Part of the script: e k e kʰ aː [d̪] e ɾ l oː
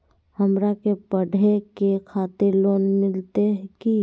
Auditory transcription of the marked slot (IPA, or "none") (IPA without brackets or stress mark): t̪